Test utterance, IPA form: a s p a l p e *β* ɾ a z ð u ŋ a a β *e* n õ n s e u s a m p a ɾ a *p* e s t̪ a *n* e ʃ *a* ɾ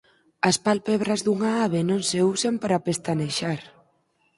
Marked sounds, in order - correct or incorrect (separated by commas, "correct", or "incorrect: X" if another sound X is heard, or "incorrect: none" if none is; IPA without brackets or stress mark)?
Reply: correct, correct, correct, correct, correct